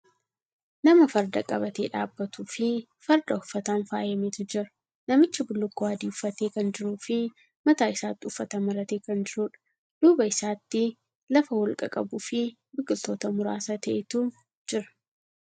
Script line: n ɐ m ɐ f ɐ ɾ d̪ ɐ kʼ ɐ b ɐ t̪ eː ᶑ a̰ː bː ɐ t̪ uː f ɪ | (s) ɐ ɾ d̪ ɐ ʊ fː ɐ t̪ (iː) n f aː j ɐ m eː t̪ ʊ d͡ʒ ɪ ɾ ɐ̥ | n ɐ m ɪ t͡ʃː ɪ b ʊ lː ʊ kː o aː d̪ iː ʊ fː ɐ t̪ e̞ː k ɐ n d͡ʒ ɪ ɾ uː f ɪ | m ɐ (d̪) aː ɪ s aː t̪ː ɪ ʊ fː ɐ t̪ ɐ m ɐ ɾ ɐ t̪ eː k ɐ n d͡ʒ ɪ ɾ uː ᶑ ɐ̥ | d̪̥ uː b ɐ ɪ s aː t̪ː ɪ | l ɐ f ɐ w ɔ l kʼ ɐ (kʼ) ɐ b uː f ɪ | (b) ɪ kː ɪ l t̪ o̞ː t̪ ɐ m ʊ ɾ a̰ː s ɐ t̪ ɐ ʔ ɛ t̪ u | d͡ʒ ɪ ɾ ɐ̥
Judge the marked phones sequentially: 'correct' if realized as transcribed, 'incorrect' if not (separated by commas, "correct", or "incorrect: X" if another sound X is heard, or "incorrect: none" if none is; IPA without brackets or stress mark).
incorrect: f, incorrect: aː, incorrect: t̪, correct, correct